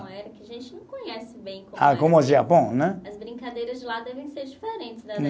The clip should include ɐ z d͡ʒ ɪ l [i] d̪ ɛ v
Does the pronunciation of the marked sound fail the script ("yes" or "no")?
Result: yes